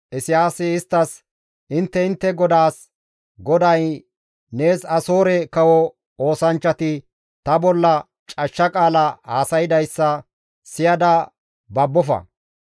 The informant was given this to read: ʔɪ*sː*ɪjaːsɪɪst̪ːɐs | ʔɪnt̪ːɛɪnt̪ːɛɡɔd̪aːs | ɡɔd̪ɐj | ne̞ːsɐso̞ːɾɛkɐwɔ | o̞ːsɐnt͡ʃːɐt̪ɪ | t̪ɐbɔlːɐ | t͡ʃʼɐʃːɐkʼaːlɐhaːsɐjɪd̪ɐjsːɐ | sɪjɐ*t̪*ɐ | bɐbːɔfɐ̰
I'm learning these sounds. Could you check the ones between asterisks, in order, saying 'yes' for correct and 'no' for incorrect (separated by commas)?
no, no